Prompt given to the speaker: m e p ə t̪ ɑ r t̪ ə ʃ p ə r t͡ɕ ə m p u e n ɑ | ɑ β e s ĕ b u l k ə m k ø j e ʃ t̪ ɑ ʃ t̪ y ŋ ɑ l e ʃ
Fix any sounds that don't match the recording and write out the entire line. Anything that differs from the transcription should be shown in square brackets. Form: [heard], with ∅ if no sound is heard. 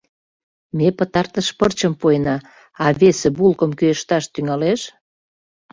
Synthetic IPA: m e p ə t̪ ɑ r t̪ ə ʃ p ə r t͡ɕ ə m p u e n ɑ | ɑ β e s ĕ b u l k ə m k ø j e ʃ t̪ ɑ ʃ t̪ y ŋ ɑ l e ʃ